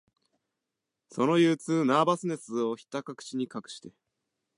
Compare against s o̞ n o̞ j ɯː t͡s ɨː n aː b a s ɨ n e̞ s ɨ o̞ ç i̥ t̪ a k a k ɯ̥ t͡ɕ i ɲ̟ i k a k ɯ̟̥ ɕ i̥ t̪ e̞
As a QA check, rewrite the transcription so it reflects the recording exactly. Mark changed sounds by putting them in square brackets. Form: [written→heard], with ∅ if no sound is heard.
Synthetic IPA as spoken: s o̞ n o̞ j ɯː t͡s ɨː n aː b a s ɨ n e̞ s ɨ o̞ ç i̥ t̪ a k a k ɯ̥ t͡ɕ i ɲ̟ i k a k ɯ̟̥ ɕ i̥ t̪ e̞

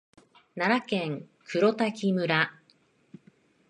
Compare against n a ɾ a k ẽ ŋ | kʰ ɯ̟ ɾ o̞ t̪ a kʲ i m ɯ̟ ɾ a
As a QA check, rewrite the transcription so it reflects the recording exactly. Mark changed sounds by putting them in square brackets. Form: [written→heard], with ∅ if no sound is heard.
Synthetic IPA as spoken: n a ɾ a k ẽ ŋ | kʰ ɯ̟ ɾ o̞ t̪ a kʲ i m ɯ̟ ɾ a

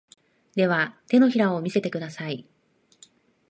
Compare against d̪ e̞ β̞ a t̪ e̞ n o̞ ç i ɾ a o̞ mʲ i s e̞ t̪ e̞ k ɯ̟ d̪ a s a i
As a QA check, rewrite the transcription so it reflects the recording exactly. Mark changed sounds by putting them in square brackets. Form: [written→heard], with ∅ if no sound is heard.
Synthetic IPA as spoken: d̪ e̞ β̞ a t̪ e̞ n o̞ ç i ɾ a o̞ mʲ i s e̞ t̪ e̞ k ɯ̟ d̪ a s a i

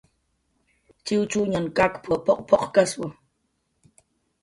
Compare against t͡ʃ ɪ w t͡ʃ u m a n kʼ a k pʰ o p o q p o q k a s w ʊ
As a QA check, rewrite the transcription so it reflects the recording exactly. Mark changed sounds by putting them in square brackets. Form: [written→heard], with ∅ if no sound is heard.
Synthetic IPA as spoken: t͡ʃ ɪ w t͡ʃ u [m→ɲ] a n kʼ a k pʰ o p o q p o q k a s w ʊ

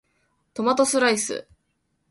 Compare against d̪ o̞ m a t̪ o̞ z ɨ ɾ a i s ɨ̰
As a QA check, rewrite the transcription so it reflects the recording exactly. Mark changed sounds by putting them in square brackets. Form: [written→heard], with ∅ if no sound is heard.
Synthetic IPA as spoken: [d̪→t̪] o̞ m a t̪ o̞ [z→s] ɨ ɾ a i s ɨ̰

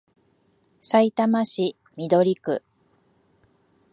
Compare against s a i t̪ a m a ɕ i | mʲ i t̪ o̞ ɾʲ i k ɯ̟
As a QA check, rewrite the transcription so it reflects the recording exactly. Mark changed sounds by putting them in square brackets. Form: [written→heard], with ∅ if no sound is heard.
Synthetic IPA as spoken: s a i t̪ a m a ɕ i | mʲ i [t̪→d̪] o̞ ɾʲ i k ɯ̟

